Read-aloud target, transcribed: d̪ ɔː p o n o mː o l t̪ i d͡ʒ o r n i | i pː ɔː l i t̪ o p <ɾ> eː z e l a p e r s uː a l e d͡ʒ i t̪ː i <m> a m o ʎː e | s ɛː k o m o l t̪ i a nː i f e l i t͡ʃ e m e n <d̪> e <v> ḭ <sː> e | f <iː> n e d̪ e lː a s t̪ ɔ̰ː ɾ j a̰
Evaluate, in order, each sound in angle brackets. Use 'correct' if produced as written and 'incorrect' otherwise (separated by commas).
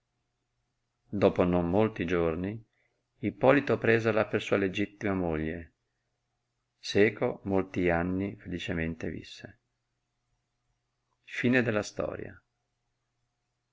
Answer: correct, correct, incorrect, correct, correct, correct